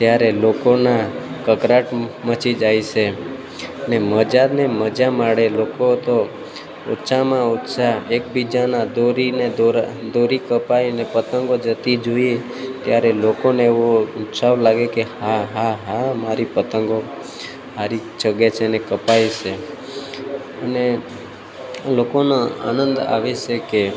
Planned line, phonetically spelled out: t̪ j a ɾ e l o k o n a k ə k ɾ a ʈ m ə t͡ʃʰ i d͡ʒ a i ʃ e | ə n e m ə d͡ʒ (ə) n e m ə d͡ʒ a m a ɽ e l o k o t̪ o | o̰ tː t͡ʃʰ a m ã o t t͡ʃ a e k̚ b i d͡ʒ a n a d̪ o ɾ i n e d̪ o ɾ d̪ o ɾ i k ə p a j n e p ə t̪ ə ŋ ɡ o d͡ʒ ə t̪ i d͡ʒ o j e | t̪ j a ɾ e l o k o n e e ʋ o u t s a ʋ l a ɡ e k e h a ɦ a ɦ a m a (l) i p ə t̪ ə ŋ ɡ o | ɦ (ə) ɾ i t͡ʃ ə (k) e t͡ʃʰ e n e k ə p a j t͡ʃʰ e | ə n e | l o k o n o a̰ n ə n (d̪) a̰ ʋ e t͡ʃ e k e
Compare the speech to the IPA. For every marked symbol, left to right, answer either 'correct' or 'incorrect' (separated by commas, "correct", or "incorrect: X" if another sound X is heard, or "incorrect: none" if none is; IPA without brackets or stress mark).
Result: incorrect: a, incorrect: ɾ, incorrect: a, incorrect: ɡ, correct